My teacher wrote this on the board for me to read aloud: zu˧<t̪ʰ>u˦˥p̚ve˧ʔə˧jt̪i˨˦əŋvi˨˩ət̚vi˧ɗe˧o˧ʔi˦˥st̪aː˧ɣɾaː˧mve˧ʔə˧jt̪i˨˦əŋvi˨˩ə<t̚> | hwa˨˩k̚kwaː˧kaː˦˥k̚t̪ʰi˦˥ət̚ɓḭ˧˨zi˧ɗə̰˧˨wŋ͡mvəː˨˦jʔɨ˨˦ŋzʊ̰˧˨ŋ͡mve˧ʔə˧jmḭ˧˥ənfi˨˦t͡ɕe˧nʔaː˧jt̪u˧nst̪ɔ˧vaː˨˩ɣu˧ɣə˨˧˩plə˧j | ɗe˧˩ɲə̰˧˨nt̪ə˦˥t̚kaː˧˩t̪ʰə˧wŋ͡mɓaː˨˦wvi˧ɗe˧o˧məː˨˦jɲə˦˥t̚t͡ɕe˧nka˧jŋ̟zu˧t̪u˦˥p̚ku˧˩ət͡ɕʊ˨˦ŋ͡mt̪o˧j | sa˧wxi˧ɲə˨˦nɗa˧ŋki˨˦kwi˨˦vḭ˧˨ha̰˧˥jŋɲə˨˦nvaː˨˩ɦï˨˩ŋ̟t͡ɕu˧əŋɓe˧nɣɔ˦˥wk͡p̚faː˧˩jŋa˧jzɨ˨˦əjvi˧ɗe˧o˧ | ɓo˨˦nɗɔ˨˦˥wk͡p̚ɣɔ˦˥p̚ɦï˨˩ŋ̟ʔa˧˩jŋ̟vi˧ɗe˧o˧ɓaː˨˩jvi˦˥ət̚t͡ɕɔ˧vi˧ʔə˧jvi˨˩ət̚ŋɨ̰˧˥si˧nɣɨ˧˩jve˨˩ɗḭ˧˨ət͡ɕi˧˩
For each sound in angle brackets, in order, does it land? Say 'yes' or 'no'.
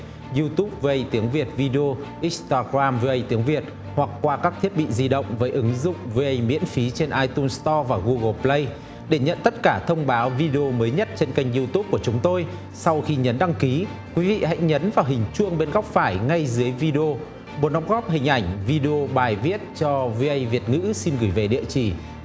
no, yes

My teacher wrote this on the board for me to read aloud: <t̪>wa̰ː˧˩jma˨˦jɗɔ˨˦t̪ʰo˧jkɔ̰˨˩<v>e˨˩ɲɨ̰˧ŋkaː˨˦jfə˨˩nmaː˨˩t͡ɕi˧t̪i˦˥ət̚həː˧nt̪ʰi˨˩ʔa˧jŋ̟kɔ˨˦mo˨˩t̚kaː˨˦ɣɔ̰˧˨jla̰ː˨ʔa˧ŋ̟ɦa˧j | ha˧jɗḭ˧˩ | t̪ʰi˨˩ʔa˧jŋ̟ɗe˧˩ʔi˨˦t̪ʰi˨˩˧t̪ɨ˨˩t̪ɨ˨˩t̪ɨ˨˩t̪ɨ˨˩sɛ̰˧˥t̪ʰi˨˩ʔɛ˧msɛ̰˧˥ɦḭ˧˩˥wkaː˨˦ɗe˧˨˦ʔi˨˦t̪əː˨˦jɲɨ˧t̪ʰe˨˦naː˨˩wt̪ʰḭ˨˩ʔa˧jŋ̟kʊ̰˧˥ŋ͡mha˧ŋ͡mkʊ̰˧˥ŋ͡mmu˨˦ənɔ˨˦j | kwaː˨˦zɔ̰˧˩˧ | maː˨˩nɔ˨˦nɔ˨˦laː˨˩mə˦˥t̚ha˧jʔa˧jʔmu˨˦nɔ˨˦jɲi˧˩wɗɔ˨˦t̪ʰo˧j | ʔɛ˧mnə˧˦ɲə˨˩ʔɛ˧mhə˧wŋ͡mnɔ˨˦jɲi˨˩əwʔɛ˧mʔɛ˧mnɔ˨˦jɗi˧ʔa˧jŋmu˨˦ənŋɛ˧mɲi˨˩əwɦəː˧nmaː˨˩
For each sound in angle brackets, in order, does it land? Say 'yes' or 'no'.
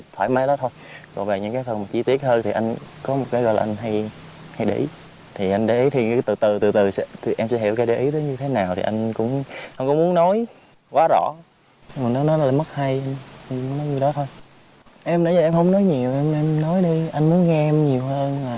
no, yes

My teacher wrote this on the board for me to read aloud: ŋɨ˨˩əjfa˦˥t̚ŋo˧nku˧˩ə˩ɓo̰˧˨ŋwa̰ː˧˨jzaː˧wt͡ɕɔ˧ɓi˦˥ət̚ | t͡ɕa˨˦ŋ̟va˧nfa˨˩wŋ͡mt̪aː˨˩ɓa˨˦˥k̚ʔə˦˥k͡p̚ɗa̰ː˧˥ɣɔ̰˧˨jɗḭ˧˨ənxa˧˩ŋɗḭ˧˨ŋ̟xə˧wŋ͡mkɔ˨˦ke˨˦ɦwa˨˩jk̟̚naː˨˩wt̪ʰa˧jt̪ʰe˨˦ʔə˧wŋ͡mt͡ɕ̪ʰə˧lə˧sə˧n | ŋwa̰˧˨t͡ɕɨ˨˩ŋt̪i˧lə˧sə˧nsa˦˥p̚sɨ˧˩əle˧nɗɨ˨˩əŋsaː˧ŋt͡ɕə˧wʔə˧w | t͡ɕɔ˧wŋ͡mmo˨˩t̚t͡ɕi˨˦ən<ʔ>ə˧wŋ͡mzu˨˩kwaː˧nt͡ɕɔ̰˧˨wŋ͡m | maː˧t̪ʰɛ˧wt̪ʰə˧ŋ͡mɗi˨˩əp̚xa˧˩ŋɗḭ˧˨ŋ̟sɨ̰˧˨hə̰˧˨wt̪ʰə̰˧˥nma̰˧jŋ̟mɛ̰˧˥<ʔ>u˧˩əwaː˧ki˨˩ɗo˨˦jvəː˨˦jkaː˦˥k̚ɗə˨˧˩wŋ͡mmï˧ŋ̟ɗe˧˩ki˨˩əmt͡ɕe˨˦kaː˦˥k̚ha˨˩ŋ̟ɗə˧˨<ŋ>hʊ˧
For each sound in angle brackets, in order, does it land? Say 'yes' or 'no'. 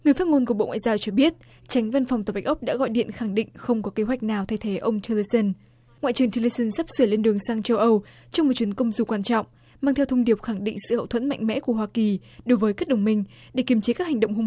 no, no, no

